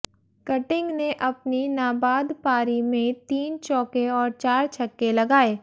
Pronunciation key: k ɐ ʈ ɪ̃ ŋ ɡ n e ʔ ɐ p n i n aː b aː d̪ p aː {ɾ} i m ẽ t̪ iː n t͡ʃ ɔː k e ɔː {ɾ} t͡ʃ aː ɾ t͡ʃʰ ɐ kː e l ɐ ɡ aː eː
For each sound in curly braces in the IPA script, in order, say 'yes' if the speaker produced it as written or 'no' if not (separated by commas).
yes, yes